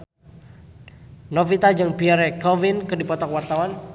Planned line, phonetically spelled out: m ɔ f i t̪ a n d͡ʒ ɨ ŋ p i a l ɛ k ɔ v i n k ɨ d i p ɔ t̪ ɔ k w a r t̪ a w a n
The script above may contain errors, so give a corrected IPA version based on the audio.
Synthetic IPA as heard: n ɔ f i t̪ a d͡ʒ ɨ ŋ p i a ɾ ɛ k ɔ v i n k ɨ d i p ɔ t̪ ɔ k w a r t̪ a w a n